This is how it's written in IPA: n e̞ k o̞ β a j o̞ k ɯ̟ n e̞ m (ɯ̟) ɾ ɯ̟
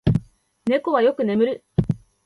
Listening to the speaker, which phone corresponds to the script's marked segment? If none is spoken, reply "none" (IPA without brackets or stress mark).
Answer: ɯ̟